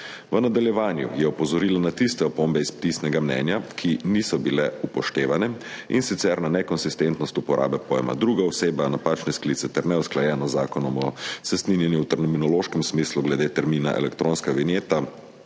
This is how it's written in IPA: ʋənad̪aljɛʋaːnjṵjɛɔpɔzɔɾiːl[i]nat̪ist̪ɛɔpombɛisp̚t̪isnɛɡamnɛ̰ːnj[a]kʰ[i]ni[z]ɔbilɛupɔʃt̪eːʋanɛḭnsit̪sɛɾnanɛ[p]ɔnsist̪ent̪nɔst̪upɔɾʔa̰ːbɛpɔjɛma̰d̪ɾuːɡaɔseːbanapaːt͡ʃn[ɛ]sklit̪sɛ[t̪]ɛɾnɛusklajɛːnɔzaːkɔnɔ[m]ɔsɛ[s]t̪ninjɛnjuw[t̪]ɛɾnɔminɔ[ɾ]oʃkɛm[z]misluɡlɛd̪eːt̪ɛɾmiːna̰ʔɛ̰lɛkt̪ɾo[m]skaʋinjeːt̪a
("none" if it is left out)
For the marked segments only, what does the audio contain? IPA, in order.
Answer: a, a, i, s, k, ɛ, t̪, m, s, t̪, l, s, n

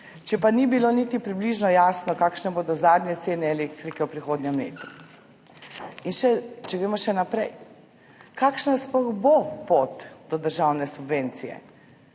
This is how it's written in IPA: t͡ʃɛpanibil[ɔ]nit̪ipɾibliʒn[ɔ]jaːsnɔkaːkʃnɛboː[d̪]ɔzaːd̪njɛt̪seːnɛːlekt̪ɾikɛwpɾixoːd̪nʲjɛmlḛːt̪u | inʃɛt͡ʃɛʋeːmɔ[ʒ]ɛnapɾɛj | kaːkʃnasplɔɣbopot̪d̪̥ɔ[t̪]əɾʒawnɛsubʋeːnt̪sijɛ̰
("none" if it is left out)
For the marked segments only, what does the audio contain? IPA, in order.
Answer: o, ɔ, d̪, ʃ, d̪

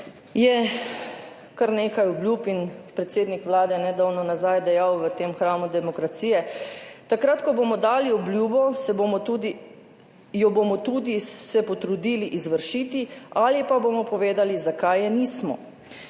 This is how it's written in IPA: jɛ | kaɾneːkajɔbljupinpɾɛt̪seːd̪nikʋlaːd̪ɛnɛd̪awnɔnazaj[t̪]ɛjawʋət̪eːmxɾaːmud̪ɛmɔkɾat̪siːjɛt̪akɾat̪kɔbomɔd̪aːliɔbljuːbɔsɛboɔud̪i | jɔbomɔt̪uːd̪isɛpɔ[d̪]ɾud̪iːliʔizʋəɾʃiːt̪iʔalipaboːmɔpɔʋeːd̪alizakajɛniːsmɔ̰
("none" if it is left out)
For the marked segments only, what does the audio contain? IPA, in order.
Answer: d̪, t̪

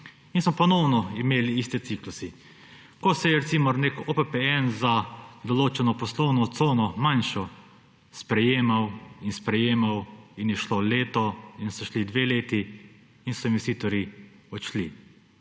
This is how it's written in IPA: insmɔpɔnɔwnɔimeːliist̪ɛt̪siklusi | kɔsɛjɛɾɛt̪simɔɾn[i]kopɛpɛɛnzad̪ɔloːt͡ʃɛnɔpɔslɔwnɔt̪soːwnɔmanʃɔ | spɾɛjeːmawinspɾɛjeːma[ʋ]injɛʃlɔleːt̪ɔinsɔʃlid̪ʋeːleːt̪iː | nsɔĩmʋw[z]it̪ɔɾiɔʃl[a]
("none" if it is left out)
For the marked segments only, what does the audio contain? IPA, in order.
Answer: e, w, s, i

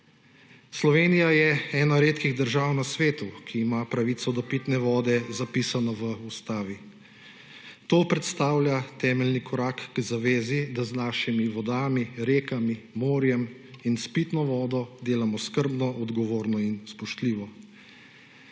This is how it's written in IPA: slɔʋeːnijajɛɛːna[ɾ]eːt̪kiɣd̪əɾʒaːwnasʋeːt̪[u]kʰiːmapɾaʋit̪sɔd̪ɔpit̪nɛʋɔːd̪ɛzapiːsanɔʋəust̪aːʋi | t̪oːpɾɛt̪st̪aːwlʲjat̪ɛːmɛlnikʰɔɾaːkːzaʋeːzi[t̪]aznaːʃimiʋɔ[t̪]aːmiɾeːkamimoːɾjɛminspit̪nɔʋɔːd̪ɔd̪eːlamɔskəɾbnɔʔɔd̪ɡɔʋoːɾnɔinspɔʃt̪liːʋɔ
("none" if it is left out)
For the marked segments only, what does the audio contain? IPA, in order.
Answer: ɾ, u, d̪, d̪

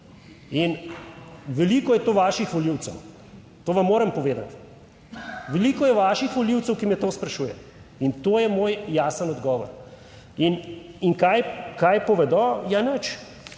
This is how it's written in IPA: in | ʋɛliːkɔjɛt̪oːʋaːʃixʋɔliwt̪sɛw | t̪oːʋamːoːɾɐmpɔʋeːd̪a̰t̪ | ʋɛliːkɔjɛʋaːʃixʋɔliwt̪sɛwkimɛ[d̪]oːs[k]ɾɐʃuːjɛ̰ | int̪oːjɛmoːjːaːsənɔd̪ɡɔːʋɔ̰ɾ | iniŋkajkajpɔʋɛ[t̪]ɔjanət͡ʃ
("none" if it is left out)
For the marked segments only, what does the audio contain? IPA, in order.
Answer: t̪, p, d̪

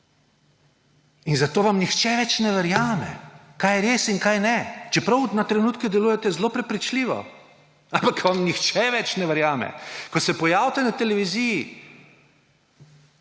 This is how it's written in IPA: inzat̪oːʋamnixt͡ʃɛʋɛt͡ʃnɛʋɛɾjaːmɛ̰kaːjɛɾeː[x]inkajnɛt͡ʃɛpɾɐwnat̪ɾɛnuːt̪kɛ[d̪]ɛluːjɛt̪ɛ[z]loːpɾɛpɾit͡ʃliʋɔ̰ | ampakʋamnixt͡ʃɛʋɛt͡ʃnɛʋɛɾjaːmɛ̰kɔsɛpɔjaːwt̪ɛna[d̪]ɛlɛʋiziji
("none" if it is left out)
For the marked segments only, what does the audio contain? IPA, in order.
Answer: s, d̪, z, t̪

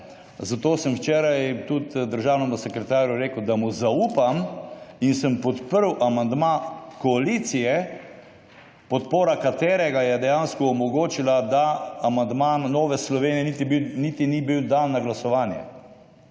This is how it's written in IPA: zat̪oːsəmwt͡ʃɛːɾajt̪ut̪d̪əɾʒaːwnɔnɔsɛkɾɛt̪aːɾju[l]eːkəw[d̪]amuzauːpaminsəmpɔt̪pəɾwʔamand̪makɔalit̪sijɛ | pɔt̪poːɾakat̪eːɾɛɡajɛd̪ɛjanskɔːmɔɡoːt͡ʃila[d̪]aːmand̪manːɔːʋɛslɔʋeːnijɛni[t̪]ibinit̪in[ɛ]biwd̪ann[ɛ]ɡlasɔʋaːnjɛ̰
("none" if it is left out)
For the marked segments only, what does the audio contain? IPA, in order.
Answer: ɾ, d̪, d̪, t̪, i, a

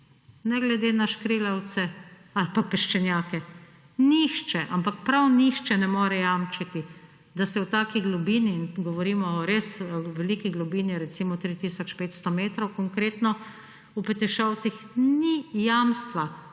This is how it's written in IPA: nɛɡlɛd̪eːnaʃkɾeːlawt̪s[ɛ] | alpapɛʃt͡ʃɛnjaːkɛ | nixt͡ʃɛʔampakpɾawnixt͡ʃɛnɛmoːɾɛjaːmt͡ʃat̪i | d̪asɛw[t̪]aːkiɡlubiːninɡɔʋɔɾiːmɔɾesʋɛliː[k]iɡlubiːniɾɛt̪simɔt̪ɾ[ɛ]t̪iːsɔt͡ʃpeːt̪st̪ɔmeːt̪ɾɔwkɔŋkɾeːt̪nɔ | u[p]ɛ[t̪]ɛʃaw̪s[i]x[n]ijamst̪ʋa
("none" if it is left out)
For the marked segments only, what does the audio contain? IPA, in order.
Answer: ɛ, t̪, k, i, p, t̪, i, n

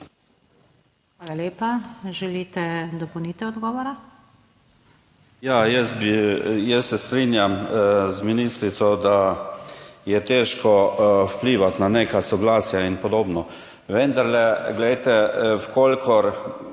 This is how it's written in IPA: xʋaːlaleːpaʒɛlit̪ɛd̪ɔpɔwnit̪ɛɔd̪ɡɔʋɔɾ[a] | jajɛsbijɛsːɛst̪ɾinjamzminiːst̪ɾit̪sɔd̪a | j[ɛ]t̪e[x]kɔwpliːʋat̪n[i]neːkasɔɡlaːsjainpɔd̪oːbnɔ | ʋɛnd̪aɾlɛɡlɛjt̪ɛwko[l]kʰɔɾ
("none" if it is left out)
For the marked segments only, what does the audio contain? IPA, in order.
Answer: a, ɛ, ʃ, a, l

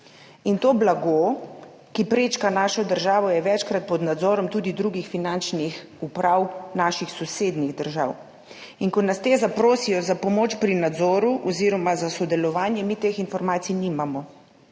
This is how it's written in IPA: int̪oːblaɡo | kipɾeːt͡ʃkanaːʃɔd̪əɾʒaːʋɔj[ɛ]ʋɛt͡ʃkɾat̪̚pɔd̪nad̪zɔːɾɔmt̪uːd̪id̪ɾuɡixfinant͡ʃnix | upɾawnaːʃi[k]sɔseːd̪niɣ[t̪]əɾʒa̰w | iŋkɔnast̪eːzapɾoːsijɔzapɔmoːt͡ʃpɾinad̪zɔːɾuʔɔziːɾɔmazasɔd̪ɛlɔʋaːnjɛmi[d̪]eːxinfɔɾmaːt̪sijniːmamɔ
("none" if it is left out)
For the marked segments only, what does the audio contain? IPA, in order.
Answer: ɛ, x, d̪, t̪

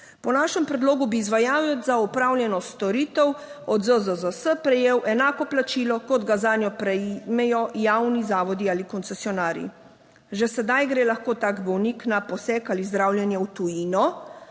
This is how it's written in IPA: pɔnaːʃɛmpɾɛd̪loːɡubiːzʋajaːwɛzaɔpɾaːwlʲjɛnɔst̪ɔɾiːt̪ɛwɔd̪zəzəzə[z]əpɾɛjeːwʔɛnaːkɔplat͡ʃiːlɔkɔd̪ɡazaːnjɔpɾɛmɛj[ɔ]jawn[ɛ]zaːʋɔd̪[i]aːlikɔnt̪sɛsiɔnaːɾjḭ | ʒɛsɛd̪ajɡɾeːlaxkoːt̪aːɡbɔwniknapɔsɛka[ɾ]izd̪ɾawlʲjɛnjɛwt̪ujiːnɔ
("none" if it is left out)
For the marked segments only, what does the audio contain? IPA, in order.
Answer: s, ɔ, i, i, l

